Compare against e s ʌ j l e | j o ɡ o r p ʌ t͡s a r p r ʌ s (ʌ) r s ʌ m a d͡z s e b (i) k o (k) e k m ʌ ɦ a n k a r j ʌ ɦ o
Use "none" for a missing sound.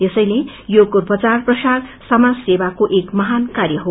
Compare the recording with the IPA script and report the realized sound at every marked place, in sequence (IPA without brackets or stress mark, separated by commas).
a, a, ʔ